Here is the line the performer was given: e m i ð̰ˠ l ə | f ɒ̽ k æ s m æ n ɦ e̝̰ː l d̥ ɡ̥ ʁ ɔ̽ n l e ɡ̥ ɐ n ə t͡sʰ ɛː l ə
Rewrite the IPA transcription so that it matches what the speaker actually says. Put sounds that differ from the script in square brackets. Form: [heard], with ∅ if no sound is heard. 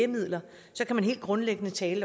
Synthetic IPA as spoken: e m i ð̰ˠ l [ɐ] | [s] ɒ̽ k æ [∅] m æ n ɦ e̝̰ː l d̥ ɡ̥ ʁ ɔ̽ n l e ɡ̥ [ə] n ə t͡sʰ ɛː l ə

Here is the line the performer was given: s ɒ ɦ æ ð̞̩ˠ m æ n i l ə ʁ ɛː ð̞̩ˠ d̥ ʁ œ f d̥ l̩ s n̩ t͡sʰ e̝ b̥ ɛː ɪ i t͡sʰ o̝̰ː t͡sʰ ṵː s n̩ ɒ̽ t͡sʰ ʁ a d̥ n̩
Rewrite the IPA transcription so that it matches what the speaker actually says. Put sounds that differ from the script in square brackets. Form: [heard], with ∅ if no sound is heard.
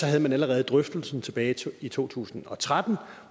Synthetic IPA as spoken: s ɒ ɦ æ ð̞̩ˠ m æ n [æ] l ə ʁ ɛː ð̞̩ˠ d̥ ʁ œ f d̥ l̩ s n̩ t͡sʰ e̝ b̥ ɛː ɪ i t͡sʰ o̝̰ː t͡sʰ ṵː s n̩ ɒ̽ t͡sʰ ʁ a d̥ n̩

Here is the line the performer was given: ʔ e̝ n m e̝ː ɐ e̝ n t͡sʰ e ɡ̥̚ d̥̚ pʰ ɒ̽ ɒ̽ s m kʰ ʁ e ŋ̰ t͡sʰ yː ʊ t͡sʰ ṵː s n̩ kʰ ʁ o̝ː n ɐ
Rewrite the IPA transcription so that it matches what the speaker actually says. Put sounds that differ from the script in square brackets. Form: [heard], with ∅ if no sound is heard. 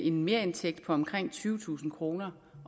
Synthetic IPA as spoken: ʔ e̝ n m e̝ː ɐ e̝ n t͡sʰ e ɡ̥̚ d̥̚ pʰ ɒ̽ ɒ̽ [∅] m kʰ ʁ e ŋ̰ t͡sʰ yː ʊ t͡sʰ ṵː s n̩ kʰ ʁ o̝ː n ɐ

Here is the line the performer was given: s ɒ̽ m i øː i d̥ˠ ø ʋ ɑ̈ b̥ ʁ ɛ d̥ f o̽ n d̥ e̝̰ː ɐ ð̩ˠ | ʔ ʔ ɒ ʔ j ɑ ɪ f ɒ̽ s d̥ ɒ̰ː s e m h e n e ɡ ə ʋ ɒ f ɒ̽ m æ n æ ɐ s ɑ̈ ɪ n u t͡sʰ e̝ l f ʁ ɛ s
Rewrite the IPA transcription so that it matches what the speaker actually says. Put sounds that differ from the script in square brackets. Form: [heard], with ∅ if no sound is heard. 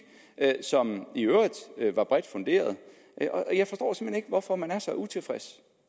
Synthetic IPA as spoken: s ɒ̽ m i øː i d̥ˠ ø ʋ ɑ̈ b̥ ʁ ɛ d̥ f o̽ n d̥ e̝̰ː ɐ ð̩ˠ | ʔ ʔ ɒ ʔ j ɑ ɪ f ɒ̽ s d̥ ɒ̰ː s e m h e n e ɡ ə ʋ ɒ f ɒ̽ m æ n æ ɐ s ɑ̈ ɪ [∅] u t͡sʰ e̝ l f ʁ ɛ s

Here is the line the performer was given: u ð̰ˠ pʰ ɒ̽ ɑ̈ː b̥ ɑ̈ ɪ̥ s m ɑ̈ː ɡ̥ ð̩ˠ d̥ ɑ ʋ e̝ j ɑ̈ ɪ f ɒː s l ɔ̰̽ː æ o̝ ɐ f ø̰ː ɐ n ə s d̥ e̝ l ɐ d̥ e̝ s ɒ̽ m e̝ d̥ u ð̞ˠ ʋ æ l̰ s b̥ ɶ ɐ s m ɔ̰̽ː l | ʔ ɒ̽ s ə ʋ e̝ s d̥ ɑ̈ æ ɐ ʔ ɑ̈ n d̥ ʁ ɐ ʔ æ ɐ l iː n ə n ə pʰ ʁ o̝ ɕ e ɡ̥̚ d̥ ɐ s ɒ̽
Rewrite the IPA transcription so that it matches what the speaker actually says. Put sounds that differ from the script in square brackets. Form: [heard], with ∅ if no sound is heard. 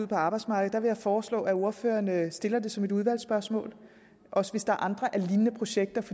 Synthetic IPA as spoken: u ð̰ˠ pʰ ɒ̽ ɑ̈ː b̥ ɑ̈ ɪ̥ s m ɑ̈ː ɡ̥ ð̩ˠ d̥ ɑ ʋ e̝ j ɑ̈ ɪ f ɒː s l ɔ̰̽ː æ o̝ ɐ f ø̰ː ɐ n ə s d̥ e̝ l ɐ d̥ e̝ s ɒ̽ m e̝ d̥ u ð̞ˠ ʋ æ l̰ s b̥ ɶ ɐ s m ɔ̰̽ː l | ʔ ɒ̽ s ə ʋ e̝ s d̥ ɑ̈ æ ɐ ʔ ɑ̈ n d̥ ʁ ɐ ʔ æ ɐ l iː n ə n ə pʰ ʁ o̝ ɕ e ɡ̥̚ d̥ ɐ [f] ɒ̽

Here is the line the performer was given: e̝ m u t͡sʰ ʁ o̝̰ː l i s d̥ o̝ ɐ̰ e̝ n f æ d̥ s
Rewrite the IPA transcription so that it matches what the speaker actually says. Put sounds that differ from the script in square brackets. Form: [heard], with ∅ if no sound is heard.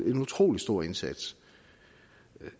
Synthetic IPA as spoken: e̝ [n] u t͡sʰ ʁ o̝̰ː l i s d̥ o̝ ɐ̰ e̝ n [s] æ d̥ s

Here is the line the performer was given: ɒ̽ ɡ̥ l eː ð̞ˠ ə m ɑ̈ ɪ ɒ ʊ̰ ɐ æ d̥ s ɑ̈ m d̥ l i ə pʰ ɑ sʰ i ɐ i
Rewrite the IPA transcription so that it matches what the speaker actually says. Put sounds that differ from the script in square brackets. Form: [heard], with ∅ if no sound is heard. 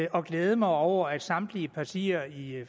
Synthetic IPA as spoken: ɒ̽ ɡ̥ l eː ð̞ˠ ə m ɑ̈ ɪ ɒ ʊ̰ ɐ æ d̥ s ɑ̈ m d̥ l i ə pʰ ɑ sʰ i ɐ i

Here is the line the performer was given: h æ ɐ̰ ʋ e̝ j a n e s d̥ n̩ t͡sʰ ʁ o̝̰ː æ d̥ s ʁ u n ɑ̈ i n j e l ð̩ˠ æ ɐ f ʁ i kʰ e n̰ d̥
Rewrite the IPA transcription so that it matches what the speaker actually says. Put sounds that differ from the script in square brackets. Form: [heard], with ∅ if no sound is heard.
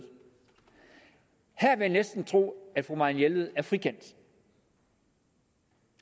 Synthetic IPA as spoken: h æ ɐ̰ ʋ e̝ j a n e s d̥ n̩ t͡sʰ ʁ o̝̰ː æ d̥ [f] ʁ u [m] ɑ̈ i n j e l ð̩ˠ æ ɐ f ʁ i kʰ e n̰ d̥

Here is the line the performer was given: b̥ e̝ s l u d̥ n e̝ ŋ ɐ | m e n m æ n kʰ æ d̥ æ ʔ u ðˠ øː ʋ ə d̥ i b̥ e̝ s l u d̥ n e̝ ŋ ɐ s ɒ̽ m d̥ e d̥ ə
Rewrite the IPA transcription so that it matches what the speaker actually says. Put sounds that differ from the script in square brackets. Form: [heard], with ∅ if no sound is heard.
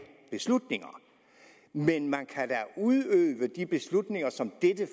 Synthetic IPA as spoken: b̥ e̝ s l u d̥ n e̝ ŋ ɐ | m e n m æ n kʰ æ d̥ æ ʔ u ðˠ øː ʋ ə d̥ i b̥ e̝ s l u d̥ n e̝ ŋ ɐ s ɒ̽ m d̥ e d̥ ə

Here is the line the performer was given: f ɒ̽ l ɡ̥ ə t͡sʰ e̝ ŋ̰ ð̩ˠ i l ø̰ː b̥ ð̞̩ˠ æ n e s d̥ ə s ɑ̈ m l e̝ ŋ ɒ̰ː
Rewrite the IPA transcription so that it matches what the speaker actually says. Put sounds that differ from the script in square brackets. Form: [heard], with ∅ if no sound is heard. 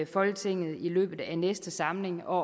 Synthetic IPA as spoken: f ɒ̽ l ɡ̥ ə t͡sʰ e̝ ŋ̰ ð̩ˠ i l ø̰ː b̥ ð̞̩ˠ æ n e s d̥ ə s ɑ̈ m l e̝ ŋ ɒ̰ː

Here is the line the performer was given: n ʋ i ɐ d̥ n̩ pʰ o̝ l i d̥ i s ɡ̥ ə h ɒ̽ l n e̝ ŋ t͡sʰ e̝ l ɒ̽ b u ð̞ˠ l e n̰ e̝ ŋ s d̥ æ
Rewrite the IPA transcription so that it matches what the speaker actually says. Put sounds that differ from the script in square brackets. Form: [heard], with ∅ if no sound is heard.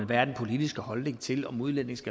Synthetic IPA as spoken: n ʋ [æ] ɐ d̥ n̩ pʰ o̝ l i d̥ i s ɡ̥ ə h ɒ̽ l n e̝ ŋ t͡sʰ e̝ l ɒ̽ [m] u ð̞ˠ l e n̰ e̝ ŋ s [ɡ̥] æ

